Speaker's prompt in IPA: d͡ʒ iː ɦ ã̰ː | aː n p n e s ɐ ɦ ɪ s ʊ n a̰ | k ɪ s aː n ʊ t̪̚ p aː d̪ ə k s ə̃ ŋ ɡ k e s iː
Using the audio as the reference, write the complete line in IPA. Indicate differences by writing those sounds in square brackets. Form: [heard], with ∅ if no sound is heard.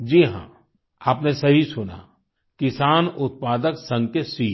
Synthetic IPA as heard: d͡ʒ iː ɦ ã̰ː | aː [∅] p n e s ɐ ɦ [i] s ʊ n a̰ | k ɪ s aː n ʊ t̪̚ p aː d̪ ə k s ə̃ ŋ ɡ k e s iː